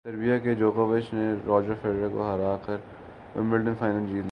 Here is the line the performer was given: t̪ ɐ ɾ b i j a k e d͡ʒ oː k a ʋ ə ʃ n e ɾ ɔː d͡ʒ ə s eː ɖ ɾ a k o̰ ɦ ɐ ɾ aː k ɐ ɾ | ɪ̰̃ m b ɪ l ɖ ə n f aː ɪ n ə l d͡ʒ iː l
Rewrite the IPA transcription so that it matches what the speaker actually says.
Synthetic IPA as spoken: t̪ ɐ ɾ b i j a k e d͡ʒ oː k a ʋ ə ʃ n e ɾ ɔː d͡ʒ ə f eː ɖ ɾ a k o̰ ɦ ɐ ɾ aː k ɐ ɾ | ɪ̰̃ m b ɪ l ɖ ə n f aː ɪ n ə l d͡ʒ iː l

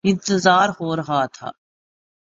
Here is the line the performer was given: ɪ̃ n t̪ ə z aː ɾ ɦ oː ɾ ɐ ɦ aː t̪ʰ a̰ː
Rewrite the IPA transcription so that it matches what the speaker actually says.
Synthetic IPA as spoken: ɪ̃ n t̪ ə z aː ɾ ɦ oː ɾ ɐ ɦ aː t̪ʰ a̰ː

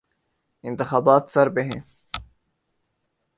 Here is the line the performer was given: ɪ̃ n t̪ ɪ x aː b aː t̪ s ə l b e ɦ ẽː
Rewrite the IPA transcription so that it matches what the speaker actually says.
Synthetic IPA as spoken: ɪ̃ n t̪ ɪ x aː b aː t̪ s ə ɾ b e ɦ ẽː

